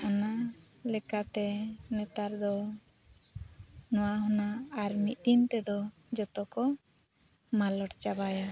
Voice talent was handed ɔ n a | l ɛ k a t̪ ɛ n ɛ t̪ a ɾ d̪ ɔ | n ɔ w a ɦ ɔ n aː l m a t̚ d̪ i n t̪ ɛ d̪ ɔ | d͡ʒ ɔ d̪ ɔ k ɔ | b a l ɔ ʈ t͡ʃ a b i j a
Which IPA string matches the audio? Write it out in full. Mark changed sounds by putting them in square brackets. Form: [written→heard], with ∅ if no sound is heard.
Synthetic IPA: ɔ n a | l ɛ k a t̪ ɛ n ɛ t̪ a ɾ d̪ ɔ | n ɔ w a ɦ ɔ n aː [l→ɾ] m [a→i] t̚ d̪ i n t̪ ɛ d̪ ɔ | d͡ʒ ɔ [d̪→t̪] ɔ k ɔ | [b→m] a l ɔ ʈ t͡ʃ a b [i→a] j a